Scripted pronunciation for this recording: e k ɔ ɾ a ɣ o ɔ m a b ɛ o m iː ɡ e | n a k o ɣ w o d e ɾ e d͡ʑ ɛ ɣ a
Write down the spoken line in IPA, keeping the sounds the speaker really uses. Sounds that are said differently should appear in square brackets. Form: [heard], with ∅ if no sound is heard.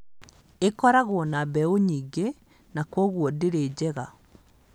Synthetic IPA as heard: e k ɔ ɾ a ɣ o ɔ [n] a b ɛ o [ɲ] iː ɡ e | n a k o ɣ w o d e ɾ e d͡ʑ ɛ ɣ a